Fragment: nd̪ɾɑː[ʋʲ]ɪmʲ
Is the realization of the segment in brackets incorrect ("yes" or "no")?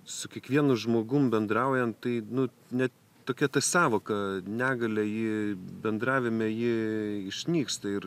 no